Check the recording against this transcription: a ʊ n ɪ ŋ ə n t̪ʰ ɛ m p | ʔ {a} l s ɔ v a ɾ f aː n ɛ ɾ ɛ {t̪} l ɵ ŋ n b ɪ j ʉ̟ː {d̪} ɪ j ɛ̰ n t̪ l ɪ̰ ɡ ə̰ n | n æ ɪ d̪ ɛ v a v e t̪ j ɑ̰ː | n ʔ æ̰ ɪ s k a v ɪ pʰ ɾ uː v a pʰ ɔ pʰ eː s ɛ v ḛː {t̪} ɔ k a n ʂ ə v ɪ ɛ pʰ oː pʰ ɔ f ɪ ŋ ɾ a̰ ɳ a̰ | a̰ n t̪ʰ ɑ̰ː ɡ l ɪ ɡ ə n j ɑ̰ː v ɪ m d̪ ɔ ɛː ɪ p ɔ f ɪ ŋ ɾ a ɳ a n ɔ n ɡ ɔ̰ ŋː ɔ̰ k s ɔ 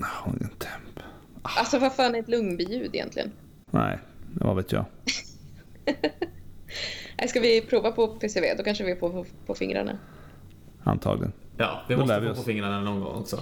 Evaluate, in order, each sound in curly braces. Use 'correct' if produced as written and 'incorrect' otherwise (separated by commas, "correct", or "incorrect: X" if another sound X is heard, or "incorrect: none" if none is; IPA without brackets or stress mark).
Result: correct, correct, correct, incorrect: d̪